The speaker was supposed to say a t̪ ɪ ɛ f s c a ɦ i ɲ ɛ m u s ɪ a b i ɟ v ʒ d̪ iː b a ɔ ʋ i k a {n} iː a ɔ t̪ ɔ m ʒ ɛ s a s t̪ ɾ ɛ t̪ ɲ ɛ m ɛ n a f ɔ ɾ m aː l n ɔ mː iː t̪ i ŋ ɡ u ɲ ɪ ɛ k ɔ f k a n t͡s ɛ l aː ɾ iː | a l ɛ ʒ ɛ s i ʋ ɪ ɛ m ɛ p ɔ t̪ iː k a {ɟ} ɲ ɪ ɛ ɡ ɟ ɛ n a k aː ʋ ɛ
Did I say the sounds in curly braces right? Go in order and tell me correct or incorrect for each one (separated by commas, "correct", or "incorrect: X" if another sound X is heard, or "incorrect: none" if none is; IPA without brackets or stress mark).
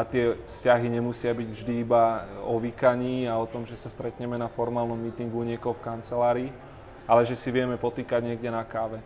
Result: incorrect: ɲ, correct